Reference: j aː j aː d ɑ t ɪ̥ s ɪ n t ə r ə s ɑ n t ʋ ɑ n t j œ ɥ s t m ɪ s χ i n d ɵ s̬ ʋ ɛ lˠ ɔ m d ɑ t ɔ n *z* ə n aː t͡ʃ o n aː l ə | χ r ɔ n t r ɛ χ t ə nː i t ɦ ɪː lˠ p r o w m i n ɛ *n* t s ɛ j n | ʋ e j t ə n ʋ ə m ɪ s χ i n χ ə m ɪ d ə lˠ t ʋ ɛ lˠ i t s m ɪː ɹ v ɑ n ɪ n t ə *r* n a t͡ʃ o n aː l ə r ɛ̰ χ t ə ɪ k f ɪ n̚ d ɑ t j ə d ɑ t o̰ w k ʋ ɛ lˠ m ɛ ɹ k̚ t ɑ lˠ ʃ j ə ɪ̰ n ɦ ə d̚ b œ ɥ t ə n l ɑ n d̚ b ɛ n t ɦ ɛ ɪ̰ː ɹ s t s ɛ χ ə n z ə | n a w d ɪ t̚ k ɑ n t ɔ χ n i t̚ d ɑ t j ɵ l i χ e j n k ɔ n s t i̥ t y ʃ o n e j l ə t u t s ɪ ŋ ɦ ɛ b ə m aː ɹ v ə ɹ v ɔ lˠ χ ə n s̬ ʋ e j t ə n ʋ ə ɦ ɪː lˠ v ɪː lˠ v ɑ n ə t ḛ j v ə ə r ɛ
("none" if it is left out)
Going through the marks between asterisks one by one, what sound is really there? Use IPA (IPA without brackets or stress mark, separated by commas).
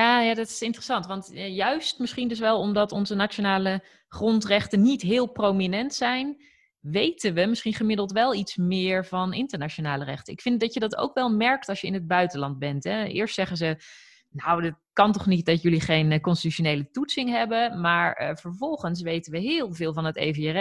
z, n, ɹ